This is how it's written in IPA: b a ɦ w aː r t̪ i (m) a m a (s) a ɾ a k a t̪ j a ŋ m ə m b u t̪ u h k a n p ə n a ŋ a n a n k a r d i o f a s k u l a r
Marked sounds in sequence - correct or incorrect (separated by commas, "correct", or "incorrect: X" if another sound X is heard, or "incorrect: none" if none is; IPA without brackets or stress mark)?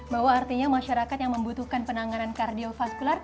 incorrect: ɲ, incorrect: ʃ